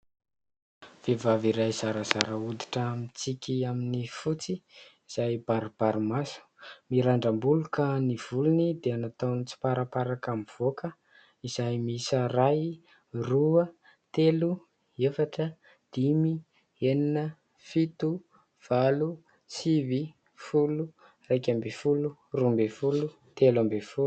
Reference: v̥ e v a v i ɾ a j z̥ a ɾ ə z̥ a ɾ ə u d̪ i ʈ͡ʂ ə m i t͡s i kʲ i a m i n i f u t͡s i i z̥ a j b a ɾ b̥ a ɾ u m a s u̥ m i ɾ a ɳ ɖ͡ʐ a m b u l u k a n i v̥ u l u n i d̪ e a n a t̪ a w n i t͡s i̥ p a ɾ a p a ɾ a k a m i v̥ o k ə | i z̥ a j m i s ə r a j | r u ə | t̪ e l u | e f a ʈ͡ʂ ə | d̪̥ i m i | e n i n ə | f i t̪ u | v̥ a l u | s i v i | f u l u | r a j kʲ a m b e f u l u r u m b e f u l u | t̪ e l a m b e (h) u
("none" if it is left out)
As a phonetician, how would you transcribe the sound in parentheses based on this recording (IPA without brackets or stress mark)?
f